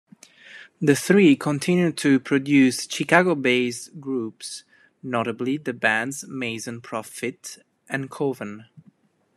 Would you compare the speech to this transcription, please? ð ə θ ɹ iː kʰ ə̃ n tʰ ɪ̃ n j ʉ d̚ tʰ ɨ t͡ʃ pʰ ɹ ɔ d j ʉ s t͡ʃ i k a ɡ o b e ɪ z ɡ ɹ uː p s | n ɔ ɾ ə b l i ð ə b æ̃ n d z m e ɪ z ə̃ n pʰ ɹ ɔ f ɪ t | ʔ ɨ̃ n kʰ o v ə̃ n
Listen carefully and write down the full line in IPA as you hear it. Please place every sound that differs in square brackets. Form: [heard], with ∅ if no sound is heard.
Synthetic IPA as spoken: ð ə θ ɹ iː kʰ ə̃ n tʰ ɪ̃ n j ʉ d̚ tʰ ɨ [∅] pʰ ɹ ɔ d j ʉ s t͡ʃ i k a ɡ o b e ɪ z ɡ ɹ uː p s | n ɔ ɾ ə b l i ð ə b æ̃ n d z m e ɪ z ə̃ n pʰ ɹ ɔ f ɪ t | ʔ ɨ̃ n kʰ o v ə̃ n